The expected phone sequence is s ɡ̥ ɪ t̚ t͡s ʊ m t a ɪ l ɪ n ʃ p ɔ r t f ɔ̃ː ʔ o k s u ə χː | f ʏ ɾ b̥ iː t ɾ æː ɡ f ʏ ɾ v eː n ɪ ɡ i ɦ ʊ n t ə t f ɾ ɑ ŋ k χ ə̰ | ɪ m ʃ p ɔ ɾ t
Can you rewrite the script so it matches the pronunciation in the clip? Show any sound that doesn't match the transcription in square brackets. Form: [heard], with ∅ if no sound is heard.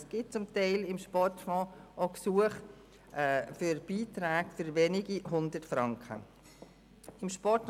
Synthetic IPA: s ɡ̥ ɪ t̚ t͡s ʊ m t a ɪ l ɪ [m] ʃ p ɔ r t f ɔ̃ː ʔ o k s u ə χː | f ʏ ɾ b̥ iː t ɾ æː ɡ f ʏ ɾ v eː n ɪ ɡ i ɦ ʊ n [d] ə t f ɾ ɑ ŋ k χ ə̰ | ɪ m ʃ p ɔ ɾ t

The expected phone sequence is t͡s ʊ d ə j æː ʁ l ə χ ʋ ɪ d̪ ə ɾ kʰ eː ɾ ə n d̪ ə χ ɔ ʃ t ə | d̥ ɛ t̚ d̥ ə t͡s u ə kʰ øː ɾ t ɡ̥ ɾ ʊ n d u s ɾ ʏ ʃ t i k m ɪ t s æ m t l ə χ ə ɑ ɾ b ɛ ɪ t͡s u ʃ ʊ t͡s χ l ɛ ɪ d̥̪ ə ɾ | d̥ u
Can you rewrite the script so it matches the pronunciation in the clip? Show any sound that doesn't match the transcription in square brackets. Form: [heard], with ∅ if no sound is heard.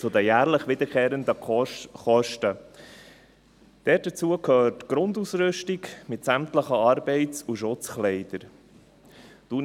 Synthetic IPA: t͡s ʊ d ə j æː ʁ l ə χ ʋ ɪ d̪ ə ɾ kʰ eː ɾ ə n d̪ ə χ ɔ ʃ t ə | d̥ ɛ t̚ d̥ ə t͡s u ə kʰ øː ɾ t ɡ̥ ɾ ʊ n d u s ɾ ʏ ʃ t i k m ɪ t s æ m t l ə χ ə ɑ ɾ b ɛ ɪ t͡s u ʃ ʊ t͡s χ l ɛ ɪ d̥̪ ə ɾ | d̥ u

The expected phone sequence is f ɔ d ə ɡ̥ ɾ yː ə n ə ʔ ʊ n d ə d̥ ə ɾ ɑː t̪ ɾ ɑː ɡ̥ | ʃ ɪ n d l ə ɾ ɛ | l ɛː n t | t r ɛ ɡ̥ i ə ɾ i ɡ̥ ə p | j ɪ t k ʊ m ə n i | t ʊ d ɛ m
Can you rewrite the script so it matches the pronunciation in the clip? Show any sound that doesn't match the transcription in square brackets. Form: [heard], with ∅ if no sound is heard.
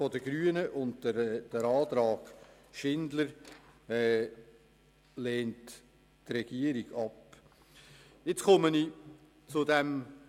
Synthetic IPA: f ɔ d ə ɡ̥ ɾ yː ə n ə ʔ ʊ n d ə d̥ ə ɾ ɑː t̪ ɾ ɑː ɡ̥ | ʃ ɪ n d l ə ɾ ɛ | l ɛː n t | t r ɛ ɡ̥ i ə ɾ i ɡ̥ [ɑ] p | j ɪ [t͡s] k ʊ m ə n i | [t͡s] ʊ d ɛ m

